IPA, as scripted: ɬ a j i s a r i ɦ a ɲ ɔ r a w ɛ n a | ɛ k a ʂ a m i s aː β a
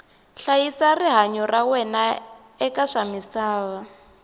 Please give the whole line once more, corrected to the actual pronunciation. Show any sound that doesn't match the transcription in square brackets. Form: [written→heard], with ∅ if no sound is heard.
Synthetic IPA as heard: ɬ a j i s a r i ɦ a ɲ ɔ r a w ɛ n a | ɛ k a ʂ a m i s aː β a